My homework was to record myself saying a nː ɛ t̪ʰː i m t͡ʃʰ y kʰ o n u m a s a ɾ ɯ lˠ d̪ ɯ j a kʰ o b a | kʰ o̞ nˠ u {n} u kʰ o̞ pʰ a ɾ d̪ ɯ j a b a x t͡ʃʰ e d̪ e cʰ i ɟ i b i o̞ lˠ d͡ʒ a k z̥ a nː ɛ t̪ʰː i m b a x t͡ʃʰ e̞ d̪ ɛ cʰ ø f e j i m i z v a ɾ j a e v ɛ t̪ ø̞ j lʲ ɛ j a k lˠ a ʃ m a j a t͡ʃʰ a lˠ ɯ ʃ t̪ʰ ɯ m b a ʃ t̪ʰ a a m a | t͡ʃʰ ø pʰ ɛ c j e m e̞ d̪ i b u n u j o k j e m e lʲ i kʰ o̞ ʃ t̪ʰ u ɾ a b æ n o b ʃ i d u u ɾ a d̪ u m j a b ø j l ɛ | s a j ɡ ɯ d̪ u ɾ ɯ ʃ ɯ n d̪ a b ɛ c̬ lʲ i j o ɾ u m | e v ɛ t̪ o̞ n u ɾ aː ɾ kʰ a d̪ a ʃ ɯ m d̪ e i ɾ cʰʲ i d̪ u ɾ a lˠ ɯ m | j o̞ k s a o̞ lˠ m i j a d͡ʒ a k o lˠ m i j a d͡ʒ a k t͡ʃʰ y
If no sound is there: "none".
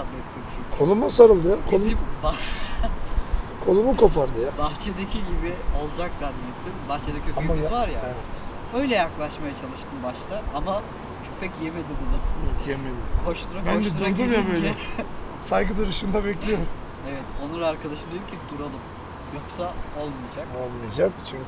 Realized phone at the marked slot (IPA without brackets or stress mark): m